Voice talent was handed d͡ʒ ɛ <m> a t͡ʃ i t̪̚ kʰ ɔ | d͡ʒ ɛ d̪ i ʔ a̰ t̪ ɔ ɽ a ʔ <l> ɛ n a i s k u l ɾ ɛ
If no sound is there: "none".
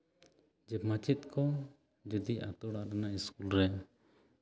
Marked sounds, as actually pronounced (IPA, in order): m, ɾ

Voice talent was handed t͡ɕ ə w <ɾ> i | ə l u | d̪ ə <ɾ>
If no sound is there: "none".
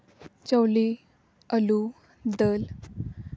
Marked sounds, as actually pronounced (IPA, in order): l, l

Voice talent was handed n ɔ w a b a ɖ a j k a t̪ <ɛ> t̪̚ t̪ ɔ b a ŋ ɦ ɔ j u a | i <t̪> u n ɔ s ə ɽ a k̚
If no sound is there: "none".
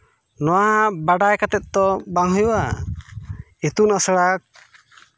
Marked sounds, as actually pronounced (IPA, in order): ɛ, t̪

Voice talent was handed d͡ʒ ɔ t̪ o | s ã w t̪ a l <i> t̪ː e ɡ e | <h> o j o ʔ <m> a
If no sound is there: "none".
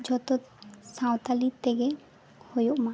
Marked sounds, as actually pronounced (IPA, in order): i, h, m

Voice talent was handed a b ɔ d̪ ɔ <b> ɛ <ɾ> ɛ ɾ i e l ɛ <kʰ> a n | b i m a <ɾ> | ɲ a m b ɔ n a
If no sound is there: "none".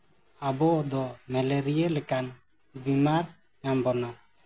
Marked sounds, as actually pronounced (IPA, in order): m, l, k, ɾ

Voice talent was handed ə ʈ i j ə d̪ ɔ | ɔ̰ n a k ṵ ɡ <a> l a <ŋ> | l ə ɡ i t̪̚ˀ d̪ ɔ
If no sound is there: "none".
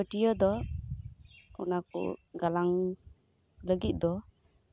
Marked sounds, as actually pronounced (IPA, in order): a, ŋ

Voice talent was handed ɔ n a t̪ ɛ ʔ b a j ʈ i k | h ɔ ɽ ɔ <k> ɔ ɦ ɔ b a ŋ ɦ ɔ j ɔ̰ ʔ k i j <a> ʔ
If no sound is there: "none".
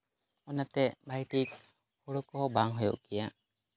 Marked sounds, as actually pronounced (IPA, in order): k, a

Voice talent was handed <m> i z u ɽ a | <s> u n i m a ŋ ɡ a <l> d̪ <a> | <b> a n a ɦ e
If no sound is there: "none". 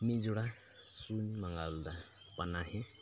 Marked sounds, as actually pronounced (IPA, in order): m, s, l, a, p

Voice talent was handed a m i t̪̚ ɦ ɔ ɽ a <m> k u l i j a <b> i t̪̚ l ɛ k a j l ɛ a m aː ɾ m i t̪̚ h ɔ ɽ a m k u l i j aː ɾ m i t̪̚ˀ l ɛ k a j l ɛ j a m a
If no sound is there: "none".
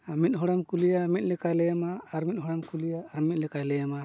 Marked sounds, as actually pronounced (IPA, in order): m, m

